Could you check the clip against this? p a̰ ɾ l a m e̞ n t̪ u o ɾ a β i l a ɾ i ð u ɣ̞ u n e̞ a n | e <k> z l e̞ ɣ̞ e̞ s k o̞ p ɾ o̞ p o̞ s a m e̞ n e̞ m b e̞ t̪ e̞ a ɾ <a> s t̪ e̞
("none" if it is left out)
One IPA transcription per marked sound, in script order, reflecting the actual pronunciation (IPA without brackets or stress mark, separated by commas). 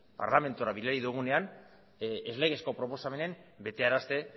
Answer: none, a